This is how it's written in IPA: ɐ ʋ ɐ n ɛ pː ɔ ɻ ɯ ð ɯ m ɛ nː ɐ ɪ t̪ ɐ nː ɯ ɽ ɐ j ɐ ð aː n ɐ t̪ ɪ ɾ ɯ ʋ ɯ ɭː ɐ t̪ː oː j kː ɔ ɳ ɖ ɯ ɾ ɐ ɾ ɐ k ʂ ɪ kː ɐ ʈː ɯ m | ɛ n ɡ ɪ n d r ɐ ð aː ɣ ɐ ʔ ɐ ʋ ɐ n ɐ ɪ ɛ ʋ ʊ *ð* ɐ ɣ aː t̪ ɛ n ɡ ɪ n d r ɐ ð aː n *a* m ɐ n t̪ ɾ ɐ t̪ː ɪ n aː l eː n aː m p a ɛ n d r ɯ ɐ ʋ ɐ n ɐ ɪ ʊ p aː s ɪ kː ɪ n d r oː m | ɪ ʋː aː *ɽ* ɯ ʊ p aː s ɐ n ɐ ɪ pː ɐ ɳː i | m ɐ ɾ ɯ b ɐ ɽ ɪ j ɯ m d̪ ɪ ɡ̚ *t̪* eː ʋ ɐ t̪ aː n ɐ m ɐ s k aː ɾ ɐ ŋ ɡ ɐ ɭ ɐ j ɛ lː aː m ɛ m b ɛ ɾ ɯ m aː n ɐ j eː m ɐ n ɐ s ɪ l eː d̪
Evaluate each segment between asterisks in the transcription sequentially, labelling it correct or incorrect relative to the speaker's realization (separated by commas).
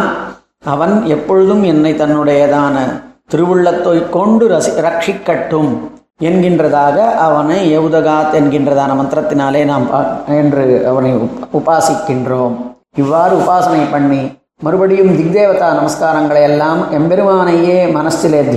correct, incorrect, incorrect, incorrect